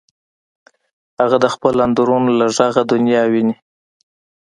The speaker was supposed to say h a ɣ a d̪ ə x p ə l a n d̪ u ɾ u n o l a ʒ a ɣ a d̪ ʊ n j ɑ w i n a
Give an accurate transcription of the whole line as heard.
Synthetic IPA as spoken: h a ɣ a d̪ ə x p ə l a n d̪ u ɾ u n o l a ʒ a ɣ a d̪ ʊ n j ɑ w i n i